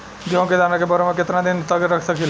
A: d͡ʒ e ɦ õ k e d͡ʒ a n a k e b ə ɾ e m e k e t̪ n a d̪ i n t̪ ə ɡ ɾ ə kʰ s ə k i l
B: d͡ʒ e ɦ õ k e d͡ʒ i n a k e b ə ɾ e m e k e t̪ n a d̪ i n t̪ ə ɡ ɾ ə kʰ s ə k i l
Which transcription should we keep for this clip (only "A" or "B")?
A